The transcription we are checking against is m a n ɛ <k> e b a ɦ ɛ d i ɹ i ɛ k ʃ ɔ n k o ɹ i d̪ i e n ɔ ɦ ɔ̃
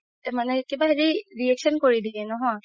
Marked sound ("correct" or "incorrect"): correct